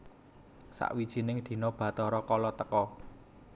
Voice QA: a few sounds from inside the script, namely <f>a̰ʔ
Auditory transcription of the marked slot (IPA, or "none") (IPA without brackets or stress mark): s